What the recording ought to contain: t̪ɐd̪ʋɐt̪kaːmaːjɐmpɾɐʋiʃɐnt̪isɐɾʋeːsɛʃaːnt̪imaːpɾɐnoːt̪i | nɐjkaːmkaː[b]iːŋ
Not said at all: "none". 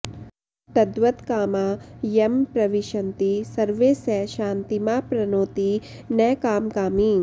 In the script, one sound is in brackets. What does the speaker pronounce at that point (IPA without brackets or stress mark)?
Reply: m